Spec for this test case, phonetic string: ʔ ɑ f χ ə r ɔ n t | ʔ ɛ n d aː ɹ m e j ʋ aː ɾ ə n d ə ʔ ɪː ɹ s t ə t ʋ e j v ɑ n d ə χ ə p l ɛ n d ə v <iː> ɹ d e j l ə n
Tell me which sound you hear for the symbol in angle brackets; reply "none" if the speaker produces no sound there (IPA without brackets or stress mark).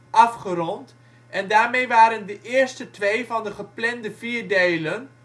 iː